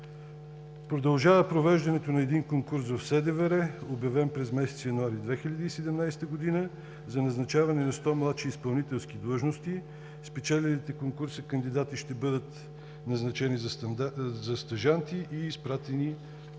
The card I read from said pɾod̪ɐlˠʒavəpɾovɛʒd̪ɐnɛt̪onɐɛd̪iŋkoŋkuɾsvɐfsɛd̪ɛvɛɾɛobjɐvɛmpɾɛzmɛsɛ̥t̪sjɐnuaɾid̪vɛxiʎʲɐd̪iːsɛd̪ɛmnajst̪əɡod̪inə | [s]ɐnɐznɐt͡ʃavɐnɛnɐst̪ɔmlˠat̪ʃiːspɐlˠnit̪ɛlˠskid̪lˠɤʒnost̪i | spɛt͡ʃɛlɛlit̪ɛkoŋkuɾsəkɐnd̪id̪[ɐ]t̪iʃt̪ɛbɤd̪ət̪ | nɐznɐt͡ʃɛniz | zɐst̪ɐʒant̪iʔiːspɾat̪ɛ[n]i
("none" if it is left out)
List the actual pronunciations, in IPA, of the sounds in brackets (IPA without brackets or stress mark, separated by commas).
z, a, n